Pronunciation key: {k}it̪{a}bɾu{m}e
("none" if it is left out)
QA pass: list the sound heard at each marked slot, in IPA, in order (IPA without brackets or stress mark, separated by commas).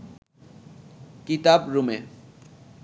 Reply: k, a, m